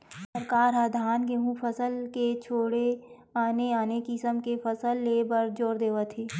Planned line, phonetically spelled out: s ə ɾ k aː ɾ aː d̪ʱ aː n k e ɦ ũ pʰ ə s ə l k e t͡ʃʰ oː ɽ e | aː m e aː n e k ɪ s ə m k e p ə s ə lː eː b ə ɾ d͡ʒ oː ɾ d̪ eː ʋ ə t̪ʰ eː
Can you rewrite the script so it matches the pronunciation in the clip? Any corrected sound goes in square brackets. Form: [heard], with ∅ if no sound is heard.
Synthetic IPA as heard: s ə ɾ k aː ɾ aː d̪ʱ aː n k e ɦ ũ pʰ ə s ə l k e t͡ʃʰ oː ɽ e | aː [n] e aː n e k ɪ s ə m k e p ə s ə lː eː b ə ɾ d͡ʒ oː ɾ d̪ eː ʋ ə t̪ʰ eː

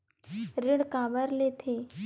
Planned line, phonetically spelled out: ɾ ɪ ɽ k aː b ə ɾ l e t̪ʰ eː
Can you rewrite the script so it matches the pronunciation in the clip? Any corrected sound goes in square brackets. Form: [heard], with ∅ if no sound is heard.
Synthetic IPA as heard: ɾ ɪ ɽ k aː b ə ɾ l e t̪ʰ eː

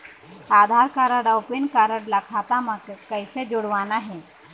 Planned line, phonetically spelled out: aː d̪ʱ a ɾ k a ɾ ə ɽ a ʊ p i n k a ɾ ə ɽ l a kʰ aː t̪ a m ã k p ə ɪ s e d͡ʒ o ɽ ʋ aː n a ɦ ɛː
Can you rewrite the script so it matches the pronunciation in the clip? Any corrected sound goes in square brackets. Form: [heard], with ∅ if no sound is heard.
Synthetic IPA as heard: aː d̪ʱ a ɾ k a ɾ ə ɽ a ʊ p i n k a ɾ ə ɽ l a kʰ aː t̪ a m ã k [k] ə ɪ s e d͡ʒ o ɽ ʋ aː n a ɦ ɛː

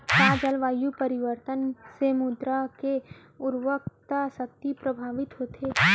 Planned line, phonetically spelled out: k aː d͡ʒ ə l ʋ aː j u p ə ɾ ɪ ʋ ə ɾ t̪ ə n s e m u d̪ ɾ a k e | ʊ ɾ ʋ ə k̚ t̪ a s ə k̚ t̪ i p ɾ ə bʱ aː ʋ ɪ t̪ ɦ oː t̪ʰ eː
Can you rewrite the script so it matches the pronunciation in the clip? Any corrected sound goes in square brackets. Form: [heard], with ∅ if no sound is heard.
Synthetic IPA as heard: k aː d͡ʒ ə l ʋ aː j u p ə ɾ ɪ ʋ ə ɾ t̪ ə n s e m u d̪ ɾ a k e | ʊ ɾ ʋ ə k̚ t̪ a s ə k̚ t̪ i p ɾ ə bʱ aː ʋ ɪ t̪ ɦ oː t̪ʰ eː

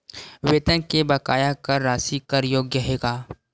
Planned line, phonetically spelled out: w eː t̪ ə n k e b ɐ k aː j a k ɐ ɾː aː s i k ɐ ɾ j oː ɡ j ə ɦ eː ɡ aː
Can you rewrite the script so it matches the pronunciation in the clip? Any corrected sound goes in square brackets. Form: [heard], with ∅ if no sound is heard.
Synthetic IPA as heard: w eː t̪ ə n k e b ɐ k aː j a k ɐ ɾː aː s i k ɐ ɾ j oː ɡ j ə ɦ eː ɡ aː

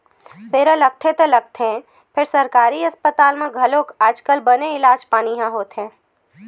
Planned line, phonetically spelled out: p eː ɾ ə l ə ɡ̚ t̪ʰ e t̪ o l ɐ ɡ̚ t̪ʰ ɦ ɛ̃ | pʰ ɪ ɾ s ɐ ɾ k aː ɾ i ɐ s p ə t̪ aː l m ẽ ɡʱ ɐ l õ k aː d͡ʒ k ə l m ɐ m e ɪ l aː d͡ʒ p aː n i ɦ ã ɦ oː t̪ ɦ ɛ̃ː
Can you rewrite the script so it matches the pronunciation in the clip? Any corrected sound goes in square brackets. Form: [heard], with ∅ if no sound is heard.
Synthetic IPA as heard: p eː ɾ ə l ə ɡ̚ t̪ʰ e t̪ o l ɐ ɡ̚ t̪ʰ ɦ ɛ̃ | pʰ ɪ ɾ s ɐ ɾ k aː ɾ i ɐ s p ə t̪ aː l m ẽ ɡʱ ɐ l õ k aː d͡ʒ k ə l [b] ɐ [n] e ɪ l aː d͡ʒ p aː n i ɦ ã ɦ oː t̪ ɦ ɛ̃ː

